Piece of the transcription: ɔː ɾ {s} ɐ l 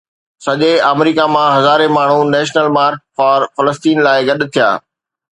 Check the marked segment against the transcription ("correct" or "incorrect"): incorrect